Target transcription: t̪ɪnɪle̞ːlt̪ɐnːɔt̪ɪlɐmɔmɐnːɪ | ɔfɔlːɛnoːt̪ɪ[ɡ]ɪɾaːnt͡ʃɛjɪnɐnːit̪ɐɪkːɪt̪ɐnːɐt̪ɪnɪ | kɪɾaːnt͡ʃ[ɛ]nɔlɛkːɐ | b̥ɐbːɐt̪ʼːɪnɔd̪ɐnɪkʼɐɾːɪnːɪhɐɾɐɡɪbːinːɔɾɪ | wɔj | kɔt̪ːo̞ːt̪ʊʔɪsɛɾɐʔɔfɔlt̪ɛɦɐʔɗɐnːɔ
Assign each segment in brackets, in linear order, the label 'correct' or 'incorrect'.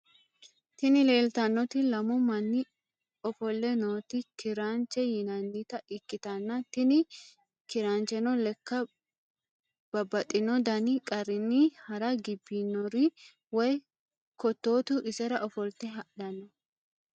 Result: incorrect: k, correct

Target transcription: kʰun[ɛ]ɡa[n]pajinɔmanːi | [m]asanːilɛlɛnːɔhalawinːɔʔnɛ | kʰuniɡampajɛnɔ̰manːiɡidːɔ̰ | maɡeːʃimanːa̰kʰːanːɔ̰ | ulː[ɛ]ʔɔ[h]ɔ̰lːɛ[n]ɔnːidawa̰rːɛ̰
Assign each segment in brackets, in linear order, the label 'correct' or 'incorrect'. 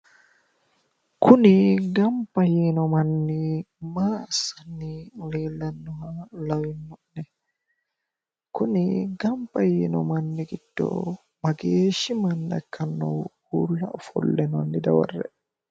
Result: incorrect: i, incorrect: m, correct, incorrect: a, incorrect: f, correct

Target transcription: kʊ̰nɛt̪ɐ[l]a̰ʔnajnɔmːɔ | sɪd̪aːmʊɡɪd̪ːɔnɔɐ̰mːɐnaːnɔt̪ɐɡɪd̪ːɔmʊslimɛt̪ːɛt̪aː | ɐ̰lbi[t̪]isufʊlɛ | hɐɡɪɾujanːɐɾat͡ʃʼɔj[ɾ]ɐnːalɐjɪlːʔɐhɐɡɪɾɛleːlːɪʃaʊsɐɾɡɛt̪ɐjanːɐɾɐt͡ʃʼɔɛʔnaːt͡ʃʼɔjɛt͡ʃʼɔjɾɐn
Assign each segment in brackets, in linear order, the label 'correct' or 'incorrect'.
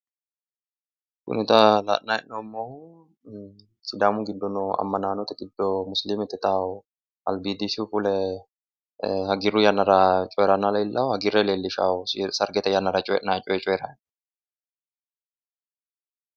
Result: correct, incorrect: d̪, correct

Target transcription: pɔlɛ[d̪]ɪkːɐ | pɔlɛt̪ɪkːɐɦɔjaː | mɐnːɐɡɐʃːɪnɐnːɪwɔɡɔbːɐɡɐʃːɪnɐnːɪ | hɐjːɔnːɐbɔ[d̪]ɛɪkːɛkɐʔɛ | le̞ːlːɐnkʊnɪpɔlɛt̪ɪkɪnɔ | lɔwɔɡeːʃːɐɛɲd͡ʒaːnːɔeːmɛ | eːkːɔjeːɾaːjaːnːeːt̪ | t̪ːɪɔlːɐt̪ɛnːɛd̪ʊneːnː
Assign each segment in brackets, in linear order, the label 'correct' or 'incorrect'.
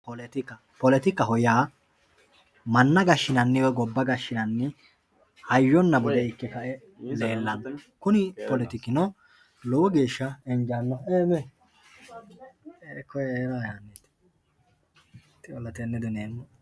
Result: incorrect: t̪, correct

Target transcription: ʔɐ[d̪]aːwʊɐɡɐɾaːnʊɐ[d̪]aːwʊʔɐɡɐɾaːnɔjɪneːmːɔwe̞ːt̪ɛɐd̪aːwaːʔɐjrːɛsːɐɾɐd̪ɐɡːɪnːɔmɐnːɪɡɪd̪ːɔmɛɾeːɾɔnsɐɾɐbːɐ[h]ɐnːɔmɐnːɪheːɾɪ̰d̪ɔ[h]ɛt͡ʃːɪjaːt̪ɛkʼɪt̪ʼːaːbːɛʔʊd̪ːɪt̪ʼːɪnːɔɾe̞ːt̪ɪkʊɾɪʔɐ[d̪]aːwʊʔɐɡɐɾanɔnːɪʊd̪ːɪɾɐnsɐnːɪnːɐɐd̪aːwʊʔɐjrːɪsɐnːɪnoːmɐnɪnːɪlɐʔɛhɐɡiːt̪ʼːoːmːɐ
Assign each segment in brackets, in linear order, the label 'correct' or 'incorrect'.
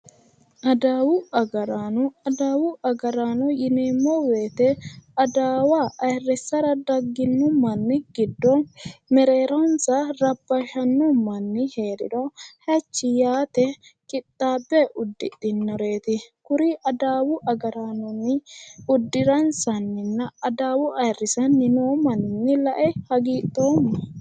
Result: correct, correct, incorrect: ʃ, correct, correct

